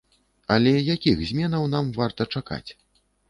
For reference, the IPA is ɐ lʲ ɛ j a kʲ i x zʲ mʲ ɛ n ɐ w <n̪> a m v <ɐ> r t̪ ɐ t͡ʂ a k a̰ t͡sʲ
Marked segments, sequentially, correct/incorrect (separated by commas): correct, incorrect